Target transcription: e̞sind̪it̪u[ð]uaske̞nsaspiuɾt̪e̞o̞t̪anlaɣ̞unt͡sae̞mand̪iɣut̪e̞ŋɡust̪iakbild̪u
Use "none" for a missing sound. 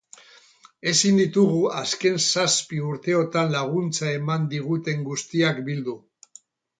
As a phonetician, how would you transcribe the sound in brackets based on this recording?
ɣ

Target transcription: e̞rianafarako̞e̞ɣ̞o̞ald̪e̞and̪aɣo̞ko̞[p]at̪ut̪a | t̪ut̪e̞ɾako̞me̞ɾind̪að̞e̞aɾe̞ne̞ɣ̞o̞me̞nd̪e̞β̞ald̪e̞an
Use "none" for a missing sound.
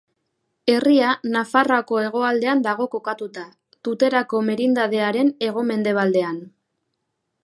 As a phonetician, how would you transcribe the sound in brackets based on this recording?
k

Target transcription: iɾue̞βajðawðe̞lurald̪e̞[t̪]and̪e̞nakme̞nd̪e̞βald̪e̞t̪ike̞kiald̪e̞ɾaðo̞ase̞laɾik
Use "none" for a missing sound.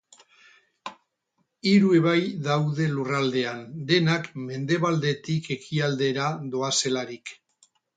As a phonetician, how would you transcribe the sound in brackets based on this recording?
none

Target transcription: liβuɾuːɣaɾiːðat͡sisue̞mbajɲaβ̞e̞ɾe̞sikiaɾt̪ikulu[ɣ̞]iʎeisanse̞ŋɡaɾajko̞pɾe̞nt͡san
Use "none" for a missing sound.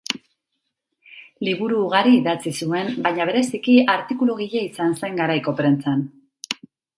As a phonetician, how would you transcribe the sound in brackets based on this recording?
ɣ̞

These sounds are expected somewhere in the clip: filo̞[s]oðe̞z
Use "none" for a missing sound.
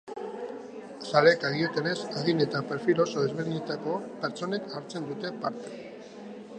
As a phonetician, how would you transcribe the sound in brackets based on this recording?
s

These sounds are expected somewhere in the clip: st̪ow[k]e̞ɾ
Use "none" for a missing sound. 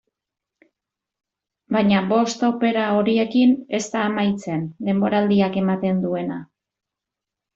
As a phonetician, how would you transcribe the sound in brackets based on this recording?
p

